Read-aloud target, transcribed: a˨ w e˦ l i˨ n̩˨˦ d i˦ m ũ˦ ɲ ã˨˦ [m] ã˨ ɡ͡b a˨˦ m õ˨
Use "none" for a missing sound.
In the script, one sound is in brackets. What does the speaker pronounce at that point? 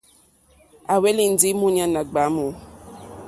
n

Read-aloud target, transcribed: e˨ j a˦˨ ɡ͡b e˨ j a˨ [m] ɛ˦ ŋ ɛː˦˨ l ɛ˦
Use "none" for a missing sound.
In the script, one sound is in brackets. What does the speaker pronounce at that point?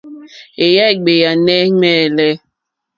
n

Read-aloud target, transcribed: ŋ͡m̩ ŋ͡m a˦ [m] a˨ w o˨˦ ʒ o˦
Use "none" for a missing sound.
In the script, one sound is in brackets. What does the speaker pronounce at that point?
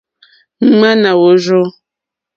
n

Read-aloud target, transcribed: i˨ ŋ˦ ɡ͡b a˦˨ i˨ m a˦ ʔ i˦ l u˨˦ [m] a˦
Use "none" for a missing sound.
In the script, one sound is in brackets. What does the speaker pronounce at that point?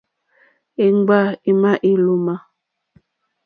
m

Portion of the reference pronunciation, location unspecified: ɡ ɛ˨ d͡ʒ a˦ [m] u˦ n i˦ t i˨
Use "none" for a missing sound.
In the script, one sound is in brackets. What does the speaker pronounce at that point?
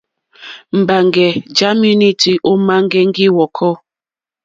m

